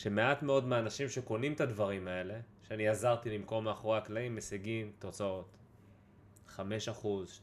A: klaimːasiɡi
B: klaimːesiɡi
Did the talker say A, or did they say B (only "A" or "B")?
B